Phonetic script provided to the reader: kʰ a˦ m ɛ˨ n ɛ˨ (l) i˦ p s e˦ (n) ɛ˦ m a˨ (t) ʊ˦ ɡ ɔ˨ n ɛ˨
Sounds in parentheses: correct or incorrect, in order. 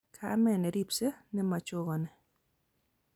incorrect: ɾ, correct, incorrect: t͡ʃ

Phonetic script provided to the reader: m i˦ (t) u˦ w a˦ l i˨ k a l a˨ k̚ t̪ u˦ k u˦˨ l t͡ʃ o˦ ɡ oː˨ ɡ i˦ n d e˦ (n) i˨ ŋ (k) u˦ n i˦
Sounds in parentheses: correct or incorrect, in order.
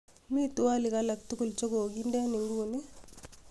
correct, correct, incorrect: ɡ

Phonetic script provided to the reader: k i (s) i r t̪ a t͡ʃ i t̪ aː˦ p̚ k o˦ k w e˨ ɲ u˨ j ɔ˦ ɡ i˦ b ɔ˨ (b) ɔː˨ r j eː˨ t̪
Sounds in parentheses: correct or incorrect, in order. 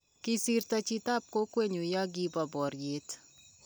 correct, correct

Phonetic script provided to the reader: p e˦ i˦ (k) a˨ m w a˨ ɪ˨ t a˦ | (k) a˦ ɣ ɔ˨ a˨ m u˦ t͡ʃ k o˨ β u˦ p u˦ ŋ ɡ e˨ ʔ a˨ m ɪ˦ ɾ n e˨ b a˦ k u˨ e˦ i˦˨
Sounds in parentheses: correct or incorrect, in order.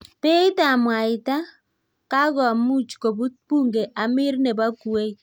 incorrect: t, correct

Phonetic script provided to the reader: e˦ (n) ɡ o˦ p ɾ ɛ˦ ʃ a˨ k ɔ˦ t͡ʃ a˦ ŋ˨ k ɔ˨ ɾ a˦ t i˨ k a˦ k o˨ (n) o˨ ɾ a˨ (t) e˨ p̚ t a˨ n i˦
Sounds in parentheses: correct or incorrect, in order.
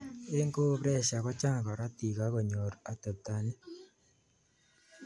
incorrect: ŋ, incorrect: ɲ, correct

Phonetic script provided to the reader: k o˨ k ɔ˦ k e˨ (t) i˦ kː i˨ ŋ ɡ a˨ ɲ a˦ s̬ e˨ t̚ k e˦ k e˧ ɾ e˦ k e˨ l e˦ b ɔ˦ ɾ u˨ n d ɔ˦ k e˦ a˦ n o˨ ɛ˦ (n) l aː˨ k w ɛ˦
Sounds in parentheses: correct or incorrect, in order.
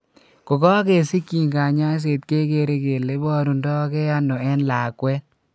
incorrect: s, correct

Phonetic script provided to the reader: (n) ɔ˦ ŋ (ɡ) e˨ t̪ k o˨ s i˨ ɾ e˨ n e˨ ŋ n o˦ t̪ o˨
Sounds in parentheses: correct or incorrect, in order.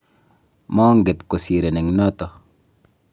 incorrect: m, correct

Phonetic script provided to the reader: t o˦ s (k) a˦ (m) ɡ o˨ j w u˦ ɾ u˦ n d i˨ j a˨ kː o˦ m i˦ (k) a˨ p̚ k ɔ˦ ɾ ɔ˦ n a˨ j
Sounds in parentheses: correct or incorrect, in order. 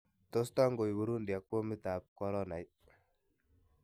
incorrect: t, incorrect: ŋ, incorrect: t

